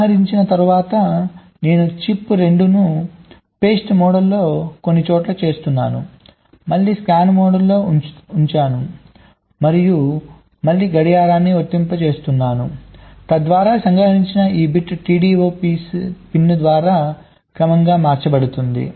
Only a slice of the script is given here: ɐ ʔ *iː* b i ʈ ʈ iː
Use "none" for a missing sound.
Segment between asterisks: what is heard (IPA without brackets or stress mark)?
iː